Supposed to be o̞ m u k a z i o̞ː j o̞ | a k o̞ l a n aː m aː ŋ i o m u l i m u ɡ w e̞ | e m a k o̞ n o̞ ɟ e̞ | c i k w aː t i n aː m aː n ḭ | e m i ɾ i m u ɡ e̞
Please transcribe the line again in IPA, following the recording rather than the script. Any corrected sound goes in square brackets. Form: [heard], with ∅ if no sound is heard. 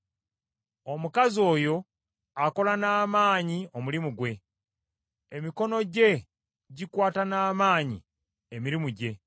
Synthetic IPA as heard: o̞ m u k a z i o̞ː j o̞ | a k o̞ l a n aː m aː [ɲ] i o m u l i m u ɡ w e̞ | e m [i] k o̞ n o̞ ɟ e̞ | [ɟ] i k w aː t [a] n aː m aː [ɲ] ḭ | e m i ɾ i m u [ɟ] e̞